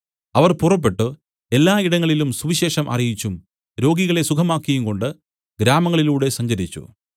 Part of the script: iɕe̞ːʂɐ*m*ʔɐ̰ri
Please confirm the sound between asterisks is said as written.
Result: yes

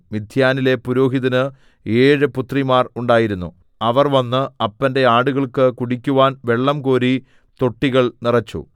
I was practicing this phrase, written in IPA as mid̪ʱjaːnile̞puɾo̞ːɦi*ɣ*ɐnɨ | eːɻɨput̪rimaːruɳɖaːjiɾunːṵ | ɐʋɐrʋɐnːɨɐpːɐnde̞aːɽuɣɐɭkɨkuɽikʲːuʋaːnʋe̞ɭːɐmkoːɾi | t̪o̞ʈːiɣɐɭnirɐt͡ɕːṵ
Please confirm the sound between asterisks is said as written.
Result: no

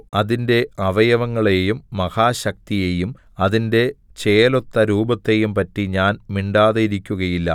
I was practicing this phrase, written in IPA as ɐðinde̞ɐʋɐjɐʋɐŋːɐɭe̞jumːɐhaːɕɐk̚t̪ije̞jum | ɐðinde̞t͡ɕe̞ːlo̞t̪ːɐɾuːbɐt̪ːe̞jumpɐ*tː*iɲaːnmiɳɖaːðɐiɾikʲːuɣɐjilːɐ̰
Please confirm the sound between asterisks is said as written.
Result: yes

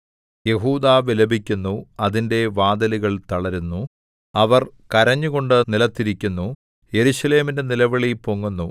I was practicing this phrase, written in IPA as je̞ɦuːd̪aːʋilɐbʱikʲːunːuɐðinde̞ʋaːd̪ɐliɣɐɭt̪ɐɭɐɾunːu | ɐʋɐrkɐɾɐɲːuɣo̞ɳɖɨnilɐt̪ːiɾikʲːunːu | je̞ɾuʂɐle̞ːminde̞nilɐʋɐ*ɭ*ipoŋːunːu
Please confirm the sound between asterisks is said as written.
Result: yes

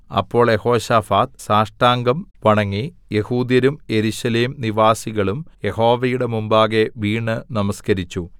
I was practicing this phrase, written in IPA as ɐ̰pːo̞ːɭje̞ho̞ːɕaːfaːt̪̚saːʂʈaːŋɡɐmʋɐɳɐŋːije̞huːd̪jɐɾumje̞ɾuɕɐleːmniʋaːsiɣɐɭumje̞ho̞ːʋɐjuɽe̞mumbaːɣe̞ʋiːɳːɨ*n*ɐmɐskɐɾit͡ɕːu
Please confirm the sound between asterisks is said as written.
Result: yes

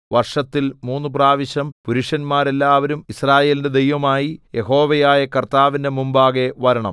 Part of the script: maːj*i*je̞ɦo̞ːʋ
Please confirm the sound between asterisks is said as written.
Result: yes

